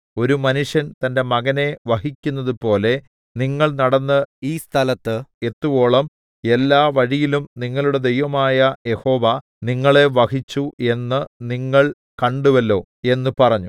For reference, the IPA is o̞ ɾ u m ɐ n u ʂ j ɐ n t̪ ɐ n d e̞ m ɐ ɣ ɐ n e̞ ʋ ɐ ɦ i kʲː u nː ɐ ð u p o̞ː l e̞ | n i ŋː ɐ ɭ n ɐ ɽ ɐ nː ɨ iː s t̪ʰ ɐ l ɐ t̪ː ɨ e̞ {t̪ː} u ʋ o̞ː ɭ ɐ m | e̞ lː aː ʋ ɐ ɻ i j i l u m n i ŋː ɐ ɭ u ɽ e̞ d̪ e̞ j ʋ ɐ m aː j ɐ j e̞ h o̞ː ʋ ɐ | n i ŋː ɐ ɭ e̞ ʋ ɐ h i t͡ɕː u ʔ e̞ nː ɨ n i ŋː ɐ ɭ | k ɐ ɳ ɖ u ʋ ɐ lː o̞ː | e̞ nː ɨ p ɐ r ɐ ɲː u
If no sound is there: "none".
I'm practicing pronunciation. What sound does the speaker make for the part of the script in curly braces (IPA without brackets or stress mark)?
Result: t̪ː